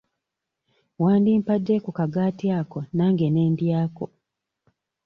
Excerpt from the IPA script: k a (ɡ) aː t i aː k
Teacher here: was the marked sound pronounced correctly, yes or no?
yes